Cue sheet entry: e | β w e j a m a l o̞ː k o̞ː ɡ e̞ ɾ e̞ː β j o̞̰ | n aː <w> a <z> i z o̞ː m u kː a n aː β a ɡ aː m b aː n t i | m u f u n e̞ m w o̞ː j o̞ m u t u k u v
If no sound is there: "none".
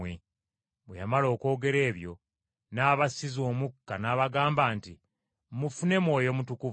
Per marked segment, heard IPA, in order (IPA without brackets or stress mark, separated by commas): β, s